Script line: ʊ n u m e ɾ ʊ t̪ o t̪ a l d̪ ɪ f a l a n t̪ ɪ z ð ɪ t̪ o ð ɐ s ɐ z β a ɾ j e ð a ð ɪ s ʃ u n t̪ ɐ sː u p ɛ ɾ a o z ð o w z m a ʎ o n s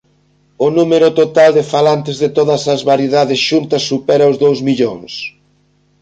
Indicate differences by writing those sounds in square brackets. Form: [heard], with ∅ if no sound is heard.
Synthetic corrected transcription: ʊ n u m e ɾ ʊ t̪ o t̪ a l d̪ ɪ f a l a n t̪ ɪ z ð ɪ t̪ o ð ɐ s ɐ z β a ɾ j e ð a ð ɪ s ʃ u n t̪ ɐ sː u p ɛ ɾ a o z ð o w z m [i] ʎ o [ŋ] s